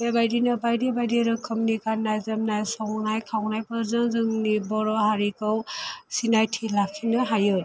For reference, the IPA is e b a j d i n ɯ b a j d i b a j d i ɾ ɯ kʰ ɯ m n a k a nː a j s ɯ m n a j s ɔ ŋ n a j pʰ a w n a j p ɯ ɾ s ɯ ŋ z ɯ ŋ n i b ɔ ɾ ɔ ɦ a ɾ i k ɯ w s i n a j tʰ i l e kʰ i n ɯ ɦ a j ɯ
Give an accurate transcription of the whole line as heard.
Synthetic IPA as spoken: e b a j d i n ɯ b a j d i b a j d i ɾ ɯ kʰ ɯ m n i k a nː a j z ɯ m n a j s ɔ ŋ n a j kʰ a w n a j p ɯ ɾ z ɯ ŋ z ɯ ŋ n i b ɔ ɾ ɔ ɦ a ɾ i k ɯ w s i n a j tʰ i l a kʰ i n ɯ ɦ a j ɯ